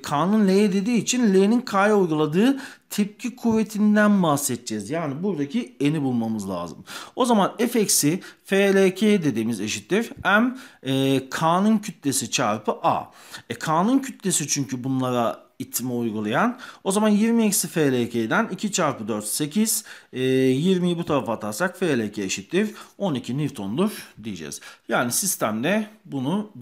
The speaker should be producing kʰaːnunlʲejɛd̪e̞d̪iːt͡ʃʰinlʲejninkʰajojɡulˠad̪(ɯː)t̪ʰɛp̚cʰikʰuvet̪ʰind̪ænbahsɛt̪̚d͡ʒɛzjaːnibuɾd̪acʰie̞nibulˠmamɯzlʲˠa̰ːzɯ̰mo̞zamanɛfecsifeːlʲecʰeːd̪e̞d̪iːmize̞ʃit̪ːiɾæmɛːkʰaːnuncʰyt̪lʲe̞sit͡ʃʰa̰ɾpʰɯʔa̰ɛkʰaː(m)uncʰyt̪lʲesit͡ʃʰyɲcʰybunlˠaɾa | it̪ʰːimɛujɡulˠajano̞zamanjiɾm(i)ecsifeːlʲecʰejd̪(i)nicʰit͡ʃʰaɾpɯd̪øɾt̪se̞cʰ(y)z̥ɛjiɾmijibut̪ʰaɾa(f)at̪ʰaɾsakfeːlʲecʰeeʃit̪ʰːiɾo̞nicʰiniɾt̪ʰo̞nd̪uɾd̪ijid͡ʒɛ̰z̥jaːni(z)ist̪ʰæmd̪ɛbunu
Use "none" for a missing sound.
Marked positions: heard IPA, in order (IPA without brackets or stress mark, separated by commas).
ɯː, n, i, æ, i, f, s